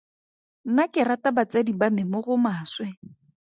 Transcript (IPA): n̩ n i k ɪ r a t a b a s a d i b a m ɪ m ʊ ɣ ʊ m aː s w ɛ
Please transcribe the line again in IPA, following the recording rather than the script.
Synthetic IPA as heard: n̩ n a k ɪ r a t a b a t͡s a d i b a m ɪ m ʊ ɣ ʊ m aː s w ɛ